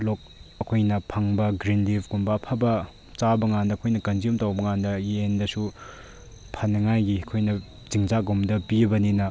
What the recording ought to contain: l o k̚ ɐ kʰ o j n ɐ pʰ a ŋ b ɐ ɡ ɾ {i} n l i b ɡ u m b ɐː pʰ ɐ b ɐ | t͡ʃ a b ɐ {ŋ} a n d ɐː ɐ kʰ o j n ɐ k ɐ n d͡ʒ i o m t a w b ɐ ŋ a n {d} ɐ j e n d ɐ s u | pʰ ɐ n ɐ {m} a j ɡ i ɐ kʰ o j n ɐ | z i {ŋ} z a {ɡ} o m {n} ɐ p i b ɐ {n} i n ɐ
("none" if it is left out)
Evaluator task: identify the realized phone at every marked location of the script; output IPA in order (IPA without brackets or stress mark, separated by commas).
i, ŋ, d, ŋ, ŋ, ɡ, d, n